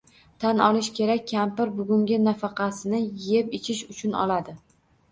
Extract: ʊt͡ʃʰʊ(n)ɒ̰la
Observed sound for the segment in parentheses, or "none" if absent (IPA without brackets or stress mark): n